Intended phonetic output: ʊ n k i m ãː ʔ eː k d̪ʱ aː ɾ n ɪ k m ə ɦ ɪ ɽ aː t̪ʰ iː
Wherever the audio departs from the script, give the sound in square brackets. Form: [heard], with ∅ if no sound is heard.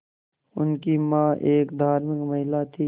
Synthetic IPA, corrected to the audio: ʊ n k i m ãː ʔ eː k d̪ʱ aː ɾ [m] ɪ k m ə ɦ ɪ [l] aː t̪ʰ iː